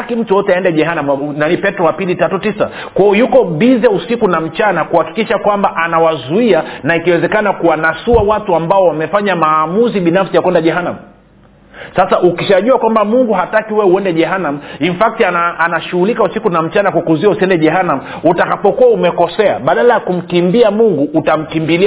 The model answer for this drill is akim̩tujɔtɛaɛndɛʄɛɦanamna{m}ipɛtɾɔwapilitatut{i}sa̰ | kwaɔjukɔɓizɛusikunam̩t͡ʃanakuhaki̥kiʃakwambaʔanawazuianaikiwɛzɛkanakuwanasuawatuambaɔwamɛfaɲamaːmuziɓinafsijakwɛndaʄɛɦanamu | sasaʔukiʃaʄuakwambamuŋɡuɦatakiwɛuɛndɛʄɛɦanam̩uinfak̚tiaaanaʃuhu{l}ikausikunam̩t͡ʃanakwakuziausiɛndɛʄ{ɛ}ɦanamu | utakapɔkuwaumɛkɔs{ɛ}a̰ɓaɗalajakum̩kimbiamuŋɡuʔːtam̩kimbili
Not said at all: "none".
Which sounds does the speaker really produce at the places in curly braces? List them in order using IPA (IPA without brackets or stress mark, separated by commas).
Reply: n, i, l, ɛ, ɛ